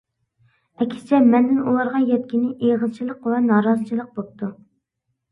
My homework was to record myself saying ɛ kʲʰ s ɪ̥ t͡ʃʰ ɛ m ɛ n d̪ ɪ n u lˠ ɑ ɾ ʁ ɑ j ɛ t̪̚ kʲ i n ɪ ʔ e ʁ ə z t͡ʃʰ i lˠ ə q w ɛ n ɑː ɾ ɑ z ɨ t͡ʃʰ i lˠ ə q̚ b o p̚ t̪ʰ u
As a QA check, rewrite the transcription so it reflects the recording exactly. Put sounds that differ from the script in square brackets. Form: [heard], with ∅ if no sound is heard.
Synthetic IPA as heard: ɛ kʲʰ s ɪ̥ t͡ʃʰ ɛ m ɛ n d̪ ɪ n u lˠ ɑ ɾ ʁ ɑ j ɛ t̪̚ kʲ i n ɪ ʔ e ʁ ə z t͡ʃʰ i lˠ ə q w ɛ n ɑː ɾ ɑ z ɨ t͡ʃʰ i lˠ ə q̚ b o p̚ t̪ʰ u

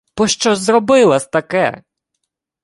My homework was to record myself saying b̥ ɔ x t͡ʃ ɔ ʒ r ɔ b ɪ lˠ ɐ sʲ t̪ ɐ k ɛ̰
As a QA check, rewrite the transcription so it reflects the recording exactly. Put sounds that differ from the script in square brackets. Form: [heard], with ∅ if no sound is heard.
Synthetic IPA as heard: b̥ ɔ [ʃ] t͡ʃ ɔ [z] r ɔ b ɪ lˠ ɐ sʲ t̪ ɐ k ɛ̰

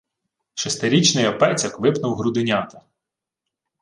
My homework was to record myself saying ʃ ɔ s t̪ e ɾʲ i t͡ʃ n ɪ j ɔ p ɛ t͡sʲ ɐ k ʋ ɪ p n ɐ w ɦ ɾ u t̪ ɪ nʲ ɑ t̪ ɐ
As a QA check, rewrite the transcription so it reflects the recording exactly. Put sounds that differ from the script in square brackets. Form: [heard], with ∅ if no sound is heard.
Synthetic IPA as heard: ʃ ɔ s t̪ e ɾʲ i t͡ʃ n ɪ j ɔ p ɛ t͡sʲ ɐ k ʋ ɪ p n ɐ w ɦ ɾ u [d̪] ɪ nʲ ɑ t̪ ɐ

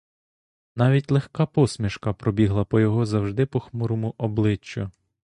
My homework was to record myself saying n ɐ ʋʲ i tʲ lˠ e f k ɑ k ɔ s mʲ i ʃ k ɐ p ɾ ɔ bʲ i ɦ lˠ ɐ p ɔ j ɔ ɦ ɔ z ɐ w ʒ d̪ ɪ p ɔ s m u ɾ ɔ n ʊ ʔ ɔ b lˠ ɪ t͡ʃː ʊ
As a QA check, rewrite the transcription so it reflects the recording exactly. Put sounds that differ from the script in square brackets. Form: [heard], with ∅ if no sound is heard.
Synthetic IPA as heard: n [ɑ] ʋʲ i tʲ lˠ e [x] k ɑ [p] ɔ s mʲ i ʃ k ɐ p ɾ ɔ bʲ i ɦ lˠ ɐ p ɔ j ɔ ɦ ɔ z ɐ w ʒ d̪ ɪ p ɔ [x] m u ɾ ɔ [m] ʊ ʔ ɔ b lˠ ɪ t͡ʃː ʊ

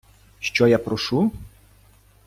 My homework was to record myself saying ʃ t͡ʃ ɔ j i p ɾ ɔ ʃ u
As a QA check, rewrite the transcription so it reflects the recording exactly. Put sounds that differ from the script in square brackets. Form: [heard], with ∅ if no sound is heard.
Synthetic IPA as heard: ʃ t͡ʃ ɔ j [a] p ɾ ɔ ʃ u

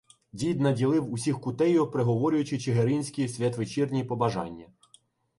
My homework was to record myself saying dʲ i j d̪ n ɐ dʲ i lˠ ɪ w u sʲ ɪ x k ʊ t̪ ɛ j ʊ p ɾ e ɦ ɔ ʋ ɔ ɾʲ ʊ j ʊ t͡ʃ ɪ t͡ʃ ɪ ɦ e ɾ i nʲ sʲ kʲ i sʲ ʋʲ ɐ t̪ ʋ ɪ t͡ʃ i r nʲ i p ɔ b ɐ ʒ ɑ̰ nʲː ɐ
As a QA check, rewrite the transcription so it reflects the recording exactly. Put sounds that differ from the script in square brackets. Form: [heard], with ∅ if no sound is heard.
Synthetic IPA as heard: dʲ i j d̪ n ɐ dʲ i lˠ ɪ w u sʲ [i] x k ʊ t̪ ɛ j ʊ p ɾ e ɦ ɔ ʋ ɔ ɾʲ ʊ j ʊ t͡ʃ ɪ t͡ʃ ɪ ɦ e ɾ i nʲ sʲ kʲ i sʲ ʋʲ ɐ t̪ ʋ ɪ t͡ʃ i r nʲ i p ɔ b ɐ ʒ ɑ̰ nʲː ɐ

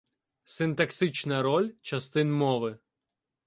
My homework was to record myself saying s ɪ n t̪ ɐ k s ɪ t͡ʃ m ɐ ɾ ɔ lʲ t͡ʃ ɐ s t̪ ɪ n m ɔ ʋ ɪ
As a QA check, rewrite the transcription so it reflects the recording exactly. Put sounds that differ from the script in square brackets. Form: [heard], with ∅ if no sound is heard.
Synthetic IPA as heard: s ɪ n t̪ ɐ k s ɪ t͡ʃ [n] ɐ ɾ ɔ lʲ t͡ʃ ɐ s t̪ ɪ n m ɔ ʋ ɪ

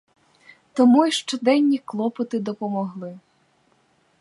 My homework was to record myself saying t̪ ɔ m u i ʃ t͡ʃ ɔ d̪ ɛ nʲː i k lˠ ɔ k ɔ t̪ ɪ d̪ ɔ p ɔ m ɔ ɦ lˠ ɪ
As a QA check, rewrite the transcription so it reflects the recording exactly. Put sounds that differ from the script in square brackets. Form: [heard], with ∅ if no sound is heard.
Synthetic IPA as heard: t̪ ɔ m u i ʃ t͡ʃ ɔ d̪ ɛ nʲː i k lˠ ɔ [p] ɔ t̪ ɪ d̪ ɔ p ɔ m ɔ ɦ lˠ ɪ

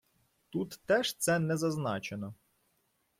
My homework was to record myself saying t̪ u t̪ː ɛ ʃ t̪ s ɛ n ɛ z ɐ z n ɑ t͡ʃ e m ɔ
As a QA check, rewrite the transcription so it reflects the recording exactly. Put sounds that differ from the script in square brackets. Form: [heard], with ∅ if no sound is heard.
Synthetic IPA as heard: t̪ u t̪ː ɛ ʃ t̪ s ɛ n ɛ z ɐ z n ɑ t͡ʃ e [n] ɔ

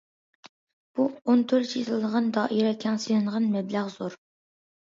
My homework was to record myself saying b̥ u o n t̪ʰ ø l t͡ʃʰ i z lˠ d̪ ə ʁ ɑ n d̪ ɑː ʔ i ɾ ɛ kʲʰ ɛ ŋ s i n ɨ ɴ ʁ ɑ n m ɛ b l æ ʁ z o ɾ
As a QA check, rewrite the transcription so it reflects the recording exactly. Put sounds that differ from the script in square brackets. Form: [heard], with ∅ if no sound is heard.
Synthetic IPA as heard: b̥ u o n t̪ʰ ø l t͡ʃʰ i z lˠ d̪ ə ʁ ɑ n d̪ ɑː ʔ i ɾ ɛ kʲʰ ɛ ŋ s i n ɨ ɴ ʁ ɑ n m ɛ b l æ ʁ z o ɾ

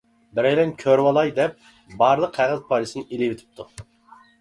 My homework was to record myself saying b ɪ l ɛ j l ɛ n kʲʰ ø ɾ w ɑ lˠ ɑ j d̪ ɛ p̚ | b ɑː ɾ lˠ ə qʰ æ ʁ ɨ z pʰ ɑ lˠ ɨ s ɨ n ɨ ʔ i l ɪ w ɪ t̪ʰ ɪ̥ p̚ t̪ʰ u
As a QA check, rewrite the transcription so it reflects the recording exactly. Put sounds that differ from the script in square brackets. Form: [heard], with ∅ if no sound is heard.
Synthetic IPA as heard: b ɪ [ɾ] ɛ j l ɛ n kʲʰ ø ɾ w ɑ lˠ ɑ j d̪ ɛ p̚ | b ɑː ɾ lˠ ə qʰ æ ʁ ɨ z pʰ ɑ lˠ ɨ s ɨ n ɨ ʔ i l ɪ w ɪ t̪ʰ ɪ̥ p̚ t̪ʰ u

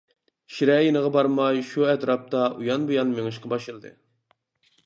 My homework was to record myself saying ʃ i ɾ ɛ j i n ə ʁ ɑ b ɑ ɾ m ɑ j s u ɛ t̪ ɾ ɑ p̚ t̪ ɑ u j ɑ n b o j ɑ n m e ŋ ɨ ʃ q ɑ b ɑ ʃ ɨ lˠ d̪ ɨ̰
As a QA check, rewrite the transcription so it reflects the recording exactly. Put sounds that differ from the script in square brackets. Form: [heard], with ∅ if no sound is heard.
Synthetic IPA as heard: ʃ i ɾ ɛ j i n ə ʁ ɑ b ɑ ɾ m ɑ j [ʃ] u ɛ t̪ ɾ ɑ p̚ t̪ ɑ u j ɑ n b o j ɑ n m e ŋ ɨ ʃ q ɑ b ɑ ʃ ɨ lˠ d̪ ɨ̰

